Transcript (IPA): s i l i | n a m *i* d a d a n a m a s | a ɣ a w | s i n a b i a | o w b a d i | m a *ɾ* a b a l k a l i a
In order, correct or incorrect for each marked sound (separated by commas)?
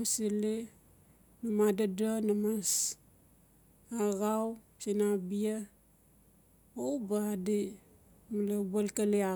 incorrect, incorrect